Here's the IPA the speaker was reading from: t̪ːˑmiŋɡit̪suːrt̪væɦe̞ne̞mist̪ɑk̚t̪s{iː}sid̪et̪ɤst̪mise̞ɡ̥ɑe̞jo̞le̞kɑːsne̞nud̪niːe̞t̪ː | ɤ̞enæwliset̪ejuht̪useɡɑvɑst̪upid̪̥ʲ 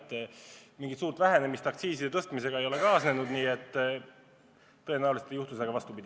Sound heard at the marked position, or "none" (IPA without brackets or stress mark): iː